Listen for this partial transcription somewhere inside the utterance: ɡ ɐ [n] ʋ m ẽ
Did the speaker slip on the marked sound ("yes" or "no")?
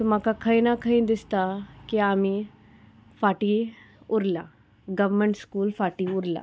yes